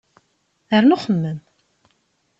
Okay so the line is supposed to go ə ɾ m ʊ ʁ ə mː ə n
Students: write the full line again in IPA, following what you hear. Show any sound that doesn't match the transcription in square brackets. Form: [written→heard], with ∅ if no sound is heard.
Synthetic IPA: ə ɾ [m→n] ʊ [ʁ→χ] ə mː ə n